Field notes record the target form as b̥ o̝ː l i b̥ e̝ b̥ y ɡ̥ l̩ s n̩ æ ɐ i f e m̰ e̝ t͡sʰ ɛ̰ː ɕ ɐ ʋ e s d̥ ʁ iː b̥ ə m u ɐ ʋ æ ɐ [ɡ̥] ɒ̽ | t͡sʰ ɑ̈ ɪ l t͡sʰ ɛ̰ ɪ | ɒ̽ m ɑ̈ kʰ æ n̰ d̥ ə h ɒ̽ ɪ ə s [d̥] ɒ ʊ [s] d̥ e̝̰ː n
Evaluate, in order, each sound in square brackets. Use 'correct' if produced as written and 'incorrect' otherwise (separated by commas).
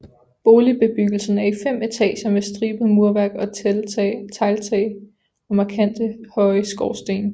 correct, incorrect, correct